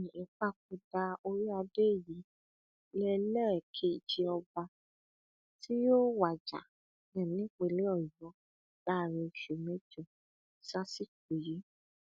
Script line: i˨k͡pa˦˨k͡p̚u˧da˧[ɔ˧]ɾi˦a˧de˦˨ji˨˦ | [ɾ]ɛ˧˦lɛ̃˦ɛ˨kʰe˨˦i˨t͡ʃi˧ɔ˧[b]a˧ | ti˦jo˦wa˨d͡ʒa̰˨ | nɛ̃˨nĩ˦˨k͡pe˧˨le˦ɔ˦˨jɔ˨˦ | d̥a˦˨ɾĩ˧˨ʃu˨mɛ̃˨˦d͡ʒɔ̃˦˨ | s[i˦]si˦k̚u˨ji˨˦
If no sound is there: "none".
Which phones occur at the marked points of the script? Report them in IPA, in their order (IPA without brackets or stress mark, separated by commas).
o˧, l, b, a˦